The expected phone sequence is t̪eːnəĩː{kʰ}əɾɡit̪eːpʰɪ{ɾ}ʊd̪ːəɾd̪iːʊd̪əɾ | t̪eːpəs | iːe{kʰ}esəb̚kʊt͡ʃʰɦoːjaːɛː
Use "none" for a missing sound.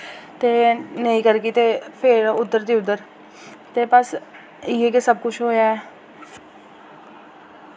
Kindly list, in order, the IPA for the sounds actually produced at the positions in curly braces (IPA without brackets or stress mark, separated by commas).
k, ɾ, k